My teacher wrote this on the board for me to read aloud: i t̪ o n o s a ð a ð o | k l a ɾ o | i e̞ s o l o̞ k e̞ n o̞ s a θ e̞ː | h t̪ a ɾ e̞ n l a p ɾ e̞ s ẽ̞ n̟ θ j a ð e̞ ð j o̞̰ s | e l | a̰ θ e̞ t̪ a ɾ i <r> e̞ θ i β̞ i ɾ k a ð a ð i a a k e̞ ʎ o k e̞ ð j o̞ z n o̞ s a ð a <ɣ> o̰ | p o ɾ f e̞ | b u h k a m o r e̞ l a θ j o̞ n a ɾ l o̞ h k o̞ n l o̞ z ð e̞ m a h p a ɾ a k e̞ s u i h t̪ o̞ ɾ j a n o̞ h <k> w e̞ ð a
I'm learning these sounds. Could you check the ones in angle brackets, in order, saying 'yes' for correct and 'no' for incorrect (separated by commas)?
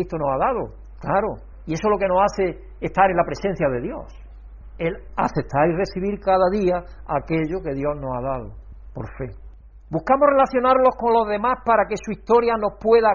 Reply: yes, no, no